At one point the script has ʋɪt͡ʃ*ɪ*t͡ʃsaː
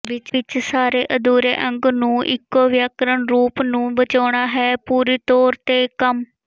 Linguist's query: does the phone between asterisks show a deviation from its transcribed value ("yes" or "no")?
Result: no